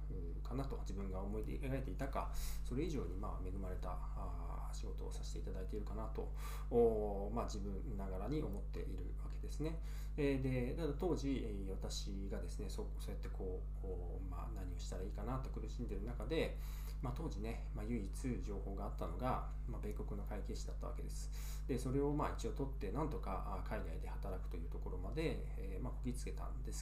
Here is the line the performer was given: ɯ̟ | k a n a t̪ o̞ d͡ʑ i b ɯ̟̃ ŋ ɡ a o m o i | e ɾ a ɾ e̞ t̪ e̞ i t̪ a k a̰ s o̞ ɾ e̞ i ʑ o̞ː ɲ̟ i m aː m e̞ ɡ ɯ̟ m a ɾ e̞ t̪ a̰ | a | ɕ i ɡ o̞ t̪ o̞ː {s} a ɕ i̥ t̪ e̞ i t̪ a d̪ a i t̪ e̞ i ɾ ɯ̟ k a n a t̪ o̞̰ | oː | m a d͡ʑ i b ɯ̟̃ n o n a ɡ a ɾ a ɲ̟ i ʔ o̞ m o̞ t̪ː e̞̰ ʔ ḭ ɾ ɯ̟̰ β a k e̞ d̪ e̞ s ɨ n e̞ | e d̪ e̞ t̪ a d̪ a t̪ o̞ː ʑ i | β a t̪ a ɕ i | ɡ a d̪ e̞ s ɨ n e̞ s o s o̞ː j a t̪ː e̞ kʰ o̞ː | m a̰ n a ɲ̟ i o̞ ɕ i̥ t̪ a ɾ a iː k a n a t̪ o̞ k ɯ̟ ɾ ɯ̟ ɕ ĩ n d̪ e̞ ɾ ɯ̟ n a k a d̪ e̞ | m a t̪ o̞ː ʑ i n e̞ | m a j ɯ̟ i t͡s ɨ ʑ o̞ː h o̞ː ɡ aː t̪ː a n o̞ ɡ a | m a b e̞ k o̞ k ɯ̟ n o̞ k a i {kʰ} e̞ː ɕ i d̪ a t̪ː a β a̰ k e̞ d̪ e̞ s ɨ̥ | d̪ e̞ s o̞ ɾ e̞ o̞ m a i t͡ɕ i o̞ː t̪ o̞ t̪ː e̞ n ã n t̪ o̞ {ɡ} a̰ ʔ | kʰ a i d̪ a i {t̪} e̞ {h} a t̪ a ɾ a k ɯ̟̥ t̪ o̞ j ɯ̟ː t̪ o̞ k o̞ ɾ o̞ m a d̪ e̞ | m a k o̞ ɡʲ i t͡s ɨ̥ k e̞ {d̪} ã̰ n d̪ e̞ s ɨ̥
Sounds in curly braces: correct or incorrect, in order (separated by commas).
correct, incorrect, incorrect, incorrect, correct, incorrect